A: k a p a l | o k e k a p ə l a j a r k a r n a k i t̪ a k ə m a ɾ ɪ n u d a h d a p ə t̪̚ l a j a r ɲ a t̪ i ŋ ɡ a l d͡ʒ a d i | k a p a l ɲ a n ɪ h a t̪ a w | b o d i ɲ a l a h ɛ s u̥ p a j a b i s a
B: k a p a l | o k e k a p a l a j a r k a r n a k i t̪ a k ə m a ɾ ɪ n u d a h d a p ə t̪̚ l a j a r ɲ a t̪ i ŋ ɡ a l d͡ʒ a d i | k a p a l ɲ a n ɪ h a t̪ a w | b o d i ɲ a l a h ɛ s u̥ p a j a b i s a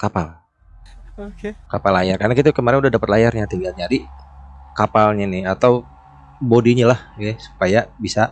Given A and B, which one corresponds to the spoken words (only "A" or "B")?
B